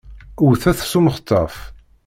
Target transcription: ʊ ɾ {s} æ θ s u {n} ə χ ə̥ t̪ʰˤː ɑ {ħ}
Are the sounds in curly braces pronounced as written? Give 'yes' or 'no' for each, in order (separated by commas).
no, no, no